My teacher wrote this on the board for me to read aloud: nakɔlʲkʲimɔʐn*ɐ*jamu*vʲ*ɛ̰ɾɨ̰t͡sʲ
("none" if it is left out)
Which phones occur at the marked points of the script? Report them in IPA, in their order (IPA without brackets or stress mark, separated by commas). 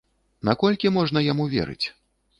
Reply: ɐ, vʲ